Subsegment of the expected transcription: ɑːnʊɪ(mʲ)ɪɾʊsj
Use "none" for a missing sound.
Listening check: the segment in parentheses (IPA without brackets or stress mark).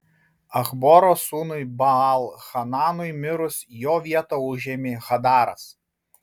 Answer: mʲ